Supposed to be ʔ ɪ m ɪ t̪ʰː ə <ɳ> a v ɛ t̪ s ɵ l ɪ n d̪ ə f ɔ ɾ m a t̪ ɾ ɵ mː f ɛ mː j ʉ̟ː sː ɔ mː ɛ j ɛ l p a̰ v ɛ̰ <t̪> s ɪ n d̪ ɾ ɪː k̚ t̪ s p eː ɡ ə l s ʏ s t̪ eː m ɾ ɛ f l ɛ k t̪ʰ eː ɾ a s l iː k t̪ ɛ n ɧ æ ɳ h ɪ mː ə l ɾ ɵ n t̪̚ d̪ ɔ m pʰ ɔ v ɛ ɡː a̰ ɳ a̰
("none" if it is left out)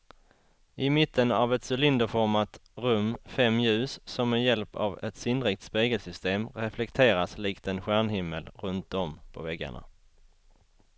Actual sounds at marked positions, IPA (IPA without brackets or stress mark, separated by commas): n, t̪